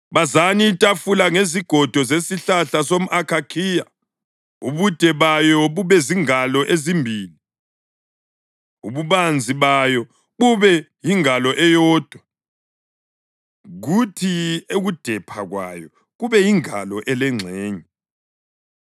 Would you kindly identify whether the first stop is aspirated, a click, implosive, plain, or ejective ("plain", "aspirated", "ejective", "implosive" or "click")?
ejective